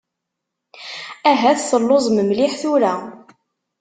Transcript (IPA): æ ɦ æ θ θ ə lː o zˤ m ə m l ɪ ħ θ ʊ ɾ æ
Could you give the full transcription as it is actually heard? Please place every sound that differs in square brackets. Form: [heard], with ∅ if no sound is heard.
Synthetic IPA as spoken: æ ɦ æ θ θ ə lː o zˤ m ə m l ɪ ħ θ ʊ ɾ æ